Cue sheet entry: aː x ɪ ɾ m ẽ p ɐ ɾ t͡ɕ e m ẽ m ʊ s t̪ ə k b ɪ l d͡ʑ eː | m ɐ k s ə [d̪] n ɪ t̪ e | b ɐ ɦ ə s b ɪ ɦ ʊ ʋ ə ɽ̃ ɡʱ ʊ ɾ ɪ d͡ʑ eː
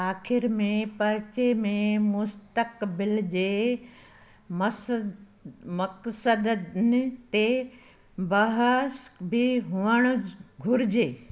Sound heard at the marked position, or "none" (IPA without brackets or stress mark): d̪